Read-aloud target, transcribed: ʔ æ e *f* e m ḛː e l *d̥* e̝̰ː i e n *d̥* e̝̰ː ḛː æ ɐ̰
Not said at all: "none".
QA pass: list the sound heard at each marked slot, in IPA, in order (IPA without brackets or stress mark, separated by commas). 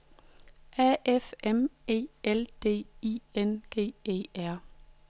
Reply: f, d̥, ɡ̥